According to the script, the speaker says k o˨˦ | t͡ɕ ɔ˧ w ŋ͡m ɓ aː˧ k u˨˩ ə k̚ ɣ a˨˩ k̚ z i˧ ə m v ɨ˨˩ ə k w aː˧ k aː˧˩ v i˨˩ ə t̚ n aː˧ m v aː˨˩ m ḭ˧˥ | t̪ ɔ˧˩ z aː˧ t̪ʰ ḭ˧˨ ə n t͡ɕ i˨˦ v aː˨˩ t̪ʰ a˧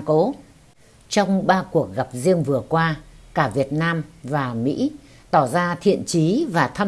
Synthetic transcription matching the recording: k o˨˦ | t͡ɕ ɔ˧ w ŋ͡m ɓ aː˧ k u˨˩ ə k̚ ɣ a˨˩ p̚ z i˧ ə ŋ v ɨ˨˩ ə k w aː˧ k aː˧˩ v i˨˩ ə t̚ n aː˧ m v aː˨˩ m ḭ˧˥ | t̪ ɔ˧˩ z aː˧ t̪ʰ ḭ˧˨ ə n t͡ɕ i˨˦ v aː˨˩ t̪ʰ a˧